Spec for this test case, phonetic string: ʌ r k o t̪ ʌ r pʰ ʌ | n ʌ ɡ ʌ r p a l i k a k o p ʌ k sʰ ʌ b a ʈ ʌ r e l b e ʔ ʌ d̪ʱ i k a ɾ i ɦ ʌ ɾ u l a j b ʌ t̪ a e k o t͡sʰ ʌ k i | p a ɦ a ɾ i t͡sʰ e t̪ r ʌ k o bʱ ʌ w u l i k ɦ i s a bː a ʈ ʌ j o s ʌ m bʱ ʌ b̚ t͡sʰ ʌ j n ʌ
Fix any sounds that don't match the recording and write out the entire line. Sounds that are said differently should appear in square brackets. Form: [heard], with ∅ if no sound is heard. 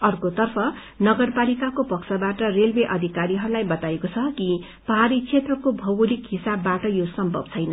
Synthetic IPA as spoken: ʌ r k o t̪ ʌ r pʰ ʌ | n ʌ ɡ ʌ r p a l i k a k o p ʌ k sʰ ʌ b a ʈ ʌ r e l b e ʔ ʌ d̪ʱ i k a ɾ i ɦ ʌ ɾ u l a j b ʌ t̪ a e k o t͡sʰ ʌ k i | p [ʌ] ɦ a ɾ i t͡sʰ e t̪ r ʌ k o bʱ ʌ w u l i k ɦ i s a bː a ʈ ʌ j o s ʌ m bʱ ʌ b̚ t͡sʰ ʌ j n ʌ